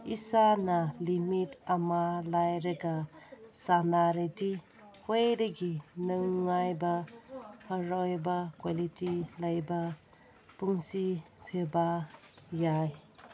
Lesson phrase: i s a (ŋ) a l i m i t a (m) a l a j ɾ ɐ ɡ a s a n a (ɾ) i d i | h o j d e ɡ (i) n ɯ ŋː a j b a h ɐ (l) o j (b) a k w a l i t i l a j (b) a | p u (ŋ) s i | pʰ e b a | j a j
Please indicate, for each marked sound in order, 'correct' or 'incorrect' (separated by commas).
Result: incorrect, correct, correct, correct, incorrect, correct, correct, correct